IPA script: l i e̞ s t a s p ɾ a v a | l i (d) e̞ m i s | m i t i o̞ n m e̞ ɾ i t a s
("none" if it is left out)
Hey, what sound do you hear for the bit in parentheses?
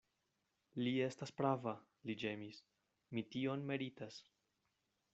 d͡ʒ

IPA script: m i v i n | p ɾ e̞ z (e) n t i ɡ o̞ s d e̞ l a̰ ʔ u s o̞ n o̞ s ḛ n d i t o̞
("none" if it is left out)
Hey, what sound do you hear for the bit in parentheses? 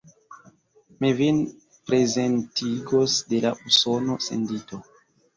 e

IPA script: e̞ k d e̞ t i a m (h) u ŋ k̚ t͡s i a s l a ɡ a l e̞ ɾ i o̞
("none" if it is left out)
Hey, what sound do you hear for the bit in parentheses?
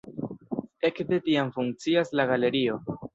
f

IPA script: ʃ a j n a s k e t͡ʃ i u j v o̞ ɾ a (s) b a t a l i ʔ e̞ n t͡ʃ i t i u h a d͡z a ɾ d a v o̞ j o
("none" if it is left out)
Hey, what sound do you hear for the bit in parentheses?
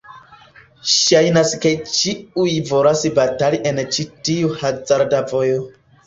s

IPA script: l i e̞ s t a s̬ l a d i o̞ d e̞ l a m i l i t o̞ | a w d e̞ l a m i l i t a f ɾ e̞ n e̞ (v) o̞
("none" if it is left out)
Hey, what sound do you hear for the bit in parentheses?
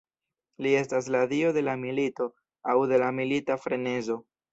z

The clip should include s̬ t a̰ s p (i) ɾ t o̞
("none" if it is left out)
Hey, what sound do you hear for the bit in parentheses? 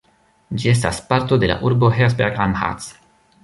a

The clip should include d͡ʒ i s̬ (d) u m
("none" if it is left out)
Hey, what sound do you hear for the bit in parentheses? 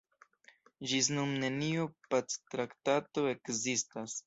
n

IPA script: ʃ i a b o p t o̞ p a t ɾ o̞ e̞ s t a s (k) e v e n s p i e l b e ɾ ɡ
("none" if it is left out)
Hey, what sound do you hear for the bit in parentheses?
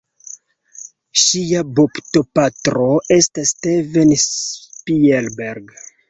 t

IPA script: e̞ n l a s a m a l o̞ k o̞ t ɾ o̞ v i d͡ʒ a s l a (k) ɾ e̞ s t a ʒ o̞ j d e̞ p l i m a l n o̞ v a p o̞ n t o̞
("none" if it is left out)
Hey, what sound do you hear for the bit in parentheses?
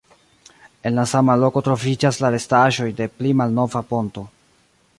none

